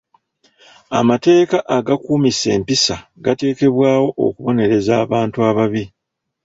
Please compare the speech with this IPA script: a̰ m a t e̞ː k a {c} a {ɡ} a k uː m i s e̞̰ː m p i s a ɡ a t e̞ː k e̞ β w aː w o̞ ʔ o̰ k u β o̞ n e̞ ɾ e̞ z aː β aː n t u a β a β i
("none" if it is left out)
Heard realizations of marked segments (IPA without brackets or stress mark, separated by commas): ʔ, ɡ